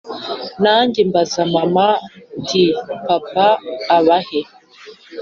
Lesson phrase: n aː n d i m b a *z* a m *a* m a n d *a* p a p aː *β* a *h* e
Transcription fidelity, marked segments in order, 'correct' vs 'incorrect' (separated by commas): correct, correct, incorrect, correct, correct